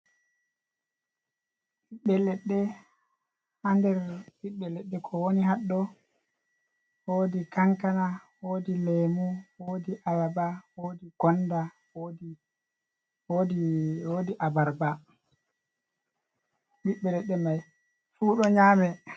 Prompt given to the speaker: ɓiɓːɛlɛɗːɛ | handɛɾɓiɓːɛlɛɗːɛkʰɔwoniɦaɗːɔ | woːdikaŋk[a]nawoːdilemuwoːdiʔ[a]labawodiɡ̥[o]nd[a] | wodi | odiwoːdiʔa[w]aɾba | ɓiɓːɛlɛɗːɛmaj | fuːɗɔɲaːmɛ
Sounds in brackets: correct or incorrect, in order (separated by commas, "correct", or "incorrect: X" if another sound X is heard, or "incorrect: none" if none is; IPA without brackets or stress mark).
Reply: correct, correct, incorrect: ɔ, correct, incorrect: b